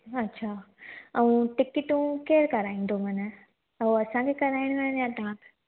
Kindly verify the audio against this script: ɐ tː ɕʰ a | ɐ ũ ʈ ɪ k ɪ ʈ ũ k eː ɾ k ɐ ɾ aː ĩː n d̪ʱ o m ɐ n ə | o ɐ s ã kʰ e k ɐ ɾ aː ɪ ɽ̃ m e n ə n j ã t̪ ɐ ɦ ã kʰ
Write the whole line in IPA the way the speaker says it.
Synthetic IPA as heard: ɐ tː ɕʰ a | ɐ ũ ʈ ɪ k ɪ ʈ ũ k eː ɾ k ɐ ɾ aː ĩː n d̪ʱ o m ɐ n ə | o ɐ s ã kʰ e k ɐ ɾ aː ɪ ɽ̃ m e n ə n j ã t̪ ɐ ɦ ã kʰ